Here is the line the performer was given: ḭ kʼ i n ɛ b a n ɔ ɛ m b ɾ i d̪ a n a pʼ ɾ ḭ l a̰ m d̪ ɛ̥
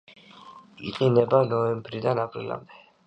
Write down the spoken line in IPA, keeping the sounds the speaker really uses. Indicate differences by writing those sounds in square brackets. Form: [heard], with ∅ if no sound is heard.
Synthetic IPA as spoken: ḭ [qʼ] i n ɛ b a n ɔ ɛ m b ɾ i d̪ a n a pʼ ɾ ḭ l a̰ m d̪ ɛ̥